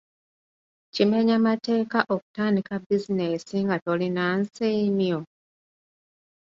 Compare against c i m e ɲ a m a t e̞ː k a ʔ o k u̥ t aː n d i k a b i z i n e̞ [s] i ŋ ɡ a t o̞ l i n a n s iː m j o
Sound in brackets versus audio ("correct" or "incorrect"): correct